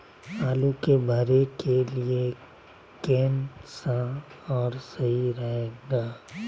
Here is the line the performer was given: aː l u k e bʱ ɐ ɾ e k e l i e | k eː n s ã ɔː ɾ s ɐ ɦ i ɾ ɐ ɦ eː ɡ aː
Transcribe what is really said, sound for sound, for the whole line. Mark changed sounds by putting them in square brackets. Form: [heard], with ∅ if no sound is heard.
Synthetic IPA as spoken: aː l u k e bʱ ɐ ɾ e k e l i e | k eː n s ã ɔː ɾ s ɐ ɦ i ɾ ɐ ɦ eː ɡ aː